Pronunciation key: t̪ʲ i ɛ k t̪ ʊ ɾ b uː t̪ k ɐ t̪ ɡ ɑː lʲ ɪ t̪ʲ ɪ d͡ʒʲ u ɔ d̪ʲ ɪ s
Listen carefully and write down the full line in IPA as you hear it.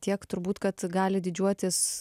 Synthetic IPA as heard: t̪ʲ i ɛ k t̪ ʊ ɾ b uː t̪ k ɐ t̪ ɡ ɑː lʲ ɪ d̪ʲ ɪ d͡ʒʲ u ɔ t̪ʲ ɪ s